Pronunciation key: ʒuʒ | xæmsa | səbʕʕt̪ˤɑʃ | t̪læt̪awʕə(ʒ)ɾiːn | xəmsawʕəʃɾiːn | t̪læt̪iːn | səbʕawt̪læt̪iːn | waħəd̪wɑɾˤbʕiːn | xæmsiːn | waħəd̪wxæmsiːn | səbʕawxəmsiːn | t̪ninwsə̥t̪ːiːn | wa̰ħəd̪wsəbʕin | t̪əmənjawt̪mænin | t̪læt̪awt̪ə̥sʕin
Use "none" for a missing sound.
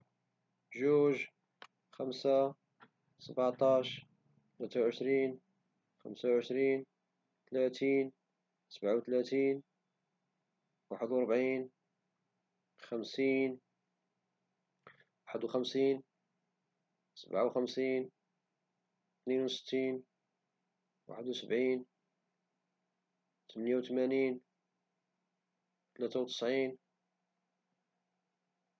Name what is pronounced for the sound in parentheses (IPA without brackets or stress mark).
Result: ʃ